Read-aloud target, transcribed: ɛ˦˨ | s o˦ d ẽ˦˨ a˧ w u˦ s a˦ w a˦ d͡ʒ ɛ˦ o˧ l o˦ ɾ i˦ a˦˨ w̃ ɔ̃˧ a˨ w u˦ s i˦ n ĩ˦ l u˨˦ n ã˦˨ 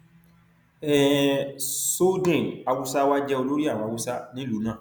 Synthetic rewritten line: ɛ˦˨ | s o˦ d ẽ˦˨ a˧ w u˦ s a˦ w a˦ d͡ʒ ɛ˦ o˧ l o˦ ɾ i˦ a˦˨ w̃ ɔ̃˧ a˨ w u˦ s a˦ n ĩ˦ l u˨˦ n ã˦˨